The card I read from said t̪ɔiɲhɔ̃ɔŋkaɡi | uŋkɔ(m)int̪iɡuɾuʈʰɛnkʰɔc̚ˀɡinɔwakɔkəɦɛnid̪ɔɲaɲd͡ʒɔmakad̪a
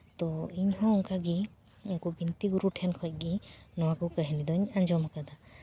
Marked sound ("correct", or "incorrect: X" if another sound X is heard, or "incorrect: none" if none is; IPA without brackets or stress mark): incorrect: b